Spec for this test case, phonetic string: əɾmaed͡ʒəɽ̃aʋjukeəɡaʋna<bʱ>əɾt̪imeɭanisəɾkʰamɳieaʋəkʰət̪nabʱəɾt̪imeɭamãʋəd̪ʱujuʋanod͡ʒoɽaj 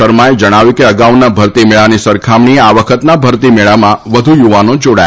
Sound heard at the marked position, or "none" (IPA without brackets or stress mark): bʱ